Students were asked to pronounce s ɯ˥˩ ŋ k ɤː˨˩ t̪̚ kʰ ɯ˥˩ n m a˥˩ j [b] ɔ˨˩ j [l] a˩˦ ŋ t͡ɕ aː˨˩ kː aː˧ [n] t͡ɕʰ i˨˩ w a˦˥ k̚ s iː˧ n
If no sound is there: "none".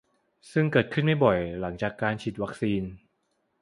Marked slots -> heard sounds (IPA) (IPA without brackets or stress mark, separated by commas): b, l, n